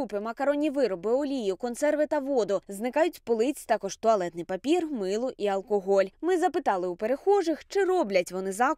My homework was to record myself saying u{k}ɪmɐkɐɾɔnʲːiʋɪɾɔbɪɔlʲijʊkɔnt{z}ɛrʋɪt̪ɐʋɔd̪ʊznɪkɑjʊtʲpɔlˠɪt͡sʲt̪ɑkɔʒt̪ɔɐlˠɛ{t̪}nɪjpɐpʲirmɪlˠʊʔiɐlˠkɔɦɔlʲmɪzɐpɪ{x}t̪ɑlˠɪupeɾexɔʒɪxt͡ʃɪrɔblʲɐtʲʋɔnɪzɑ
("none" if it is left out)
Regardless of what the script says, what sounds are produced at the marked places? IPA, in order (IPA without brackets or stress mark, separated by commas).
p, s, t̪, none